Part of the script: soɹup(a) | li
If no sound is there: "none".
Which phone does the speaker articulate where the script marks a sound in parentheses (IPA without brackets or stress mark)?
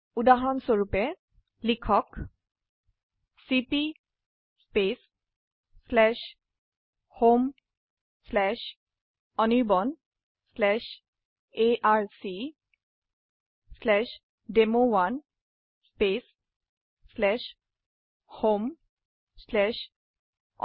ɛ